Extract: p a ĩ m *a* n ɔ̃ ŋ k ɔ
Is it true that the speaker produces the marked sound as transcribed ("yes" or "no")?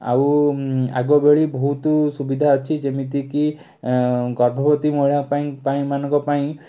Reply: yes